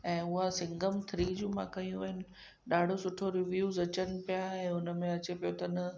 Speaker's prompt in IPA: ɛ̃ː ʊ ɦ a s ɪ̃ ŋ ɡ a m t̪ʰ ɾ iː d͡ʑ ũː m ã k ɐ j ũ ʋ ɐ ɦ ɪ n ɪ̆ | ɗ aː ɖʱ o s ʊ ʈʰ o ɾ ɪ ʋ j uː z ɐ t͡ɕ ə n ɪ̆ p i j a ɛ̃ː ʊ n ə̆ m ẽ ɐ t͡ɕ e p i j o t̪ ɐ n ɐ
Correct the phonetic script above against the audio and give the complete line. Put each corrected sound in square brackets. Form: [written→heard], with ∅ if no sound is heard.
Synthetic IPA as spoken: ɛ̃ː ʊ ɦ a s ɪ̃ ŋ ɡ [a→ə] m t̪ʰ ɾ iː d͡ʑ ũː m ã k ɐ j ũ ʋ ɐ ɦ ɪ n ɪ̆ | ɗ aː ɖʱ o s ʊ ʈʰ o ɾ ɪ ʋ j uː z ɐ t͡ɕ ə n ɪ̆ p i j a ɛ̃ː ʊ n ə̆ m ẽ ɐ t͡ɕ e p i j o t̪ ɐ n ɐ